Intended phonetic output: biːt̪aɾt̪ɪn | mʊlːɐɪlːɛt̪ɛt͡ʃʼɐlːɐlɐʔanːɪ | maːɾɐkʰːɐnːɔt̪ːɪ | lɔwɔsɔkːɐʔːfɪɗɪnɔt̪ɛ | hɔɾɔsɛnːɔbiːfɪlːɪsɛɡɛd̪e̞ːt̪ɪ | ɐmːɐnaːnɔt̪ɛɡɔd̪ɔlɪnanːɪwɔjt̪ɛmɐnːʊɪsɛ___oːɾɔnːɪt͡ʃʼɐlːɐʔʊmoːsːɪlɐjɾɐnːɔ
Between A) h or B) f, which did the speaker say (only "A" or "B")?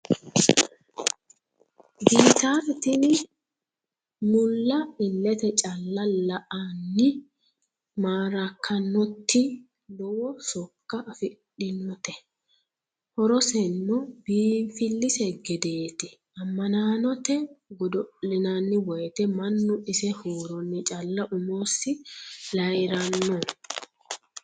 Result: A